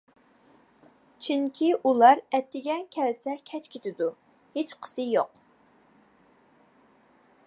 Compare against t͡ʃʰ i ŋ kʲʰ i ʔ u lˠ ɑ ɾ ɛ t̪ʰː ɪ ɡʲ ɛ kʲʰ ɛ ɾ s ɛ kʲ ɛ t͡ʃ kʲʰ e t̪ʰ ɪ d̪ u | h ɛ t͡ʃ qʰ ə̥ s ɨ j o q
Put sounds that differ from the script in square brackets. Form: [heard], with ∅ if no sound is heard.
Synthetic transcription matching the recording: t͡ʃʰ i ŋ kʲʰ i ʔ u lˠ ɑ ɾ ɛ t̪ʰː ɪ ɡʲ ɛ kʲʰ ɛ [l] s ɛ [kʲʰ] ɛ t͡ʃ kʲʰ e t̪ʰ ɪ d̪ u | h [e] t͡ʃ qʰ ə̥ s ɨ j o q